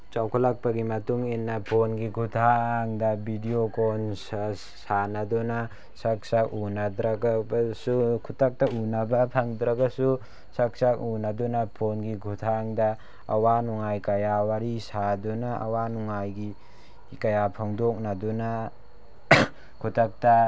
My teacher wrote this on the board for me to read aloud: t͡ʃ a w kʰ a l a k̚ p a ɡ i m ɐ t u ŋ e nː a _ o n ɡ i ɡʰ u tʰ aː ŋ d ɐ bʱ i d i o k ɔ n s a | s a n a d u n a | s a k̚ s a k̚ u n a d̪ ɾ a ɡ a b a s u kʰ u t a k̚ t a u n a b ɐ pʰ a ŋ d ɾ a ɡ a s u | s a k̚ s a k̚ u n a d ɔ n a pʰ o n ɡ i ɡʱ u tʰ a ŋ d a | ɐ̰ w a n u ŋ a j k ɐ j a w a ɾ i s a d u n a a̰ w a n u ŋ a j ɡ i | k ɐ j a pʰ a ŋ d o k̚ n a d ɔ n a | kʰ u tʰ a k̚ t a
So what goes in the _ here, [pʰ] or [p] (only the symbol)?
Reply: pʰ